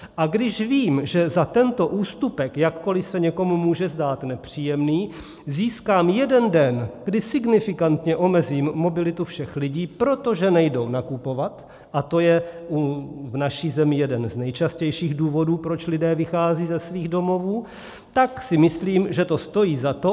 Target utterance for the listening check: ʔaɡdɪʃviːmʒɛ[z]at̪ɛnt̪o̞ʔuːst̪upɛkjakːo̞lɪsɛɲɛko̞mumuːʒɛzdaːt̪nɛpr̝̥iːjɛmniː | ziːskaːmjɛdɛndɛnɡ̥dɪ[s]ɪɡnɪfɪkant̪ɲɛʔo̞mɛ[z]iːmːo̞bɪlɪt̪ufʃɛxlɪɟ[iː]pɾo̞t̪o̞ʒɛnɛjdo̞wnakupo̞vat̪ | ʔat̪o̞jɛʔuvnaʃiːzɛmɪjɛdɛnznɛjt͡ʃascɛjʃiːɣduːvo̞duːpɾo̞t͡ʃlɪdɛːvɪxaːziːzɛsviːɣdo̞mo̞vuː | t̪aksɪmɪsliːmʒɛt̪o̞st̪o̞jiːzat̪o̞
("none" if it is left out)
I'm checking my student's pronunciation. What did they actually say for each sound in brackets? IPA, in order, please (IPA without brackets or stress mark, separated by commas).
z, s, z, iː